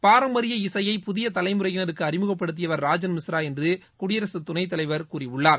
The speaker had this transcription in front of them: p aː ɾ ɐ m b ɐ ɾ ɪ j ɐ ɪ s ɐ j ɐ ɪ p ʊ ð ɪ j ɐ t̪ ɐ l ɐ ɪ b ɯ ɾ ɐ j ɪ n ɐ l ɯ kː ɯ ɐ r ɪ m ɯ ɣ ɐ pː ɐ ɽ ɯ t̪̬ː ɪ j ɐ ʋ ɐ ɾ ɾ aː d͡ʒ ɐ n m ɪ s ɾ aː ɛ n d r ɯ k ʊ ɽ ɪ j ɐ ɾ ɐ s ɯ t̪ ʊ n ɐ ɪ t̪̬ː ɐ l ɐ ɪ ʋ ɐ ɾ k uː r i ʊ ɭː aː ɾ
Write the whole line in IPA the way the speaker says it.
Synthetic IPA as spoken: p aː ɾ ɐ m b ɐ ɾ ɪ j ɐ ɪ s ɐ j ɐ ɪ p ʊ ð ɪ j ɐ t̪ ɐ l ɐ ɪ m ɯ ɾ ɐ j ɪ n ɐ ɾ ɯ kː ɯ ɐ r ɪ m ɯ ɣ ɐ pː ɐ ɽ ɯ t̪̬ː ɪ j ɐ ʋ ɐ ɾ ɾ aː d͡ʒ ɐ n m ɪ s ɾ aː ɛ n d r ɯ k ʊ ɽ ɪ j ɐ ɾ ɐ s ɯ t̪ ʊ n ɐ ɪ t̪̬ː ɐ l ɐ ɪ ʋ ɐ ɾ k uː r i ʊ ɭː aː ɾ